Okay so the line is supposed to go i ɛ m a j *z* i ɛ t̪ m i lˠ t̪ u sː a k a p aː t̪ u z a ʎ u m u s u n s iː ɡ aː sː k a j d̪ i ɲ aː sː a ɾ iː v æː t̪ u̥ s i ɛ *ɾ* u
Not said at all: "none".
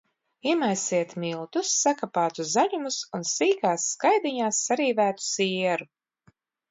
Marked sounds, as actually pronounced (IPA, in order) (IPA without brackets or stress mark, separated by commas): s, ɾ